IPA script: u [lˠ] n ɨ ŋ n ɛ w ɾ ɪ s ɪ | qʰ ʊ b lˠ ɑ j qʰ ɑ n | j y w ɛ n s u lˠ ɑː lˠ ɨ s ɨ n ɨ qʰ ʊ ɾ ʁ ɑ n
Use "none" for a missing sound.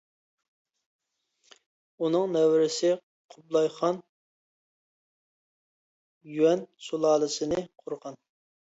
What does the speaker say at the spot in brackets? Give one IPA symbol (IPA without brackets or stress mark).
none